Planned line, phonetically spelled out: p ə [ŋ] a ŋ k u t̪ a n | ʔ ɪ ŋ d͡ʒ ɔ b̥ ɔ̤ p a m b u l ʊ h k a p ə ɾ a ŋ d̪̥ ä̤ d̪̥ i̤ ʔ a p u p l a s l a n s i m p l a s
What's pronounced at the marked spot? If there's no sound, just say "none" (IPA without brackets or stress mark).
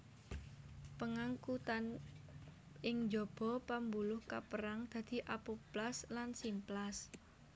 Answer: ŋ